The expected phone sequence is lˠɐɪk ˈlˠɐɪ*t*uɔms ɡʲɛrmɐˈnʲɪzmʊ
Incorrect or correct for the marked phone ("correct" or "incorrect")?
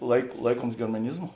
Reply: incorrect